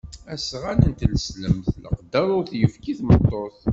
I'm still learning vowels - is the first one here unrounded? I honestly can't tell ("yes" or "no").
yes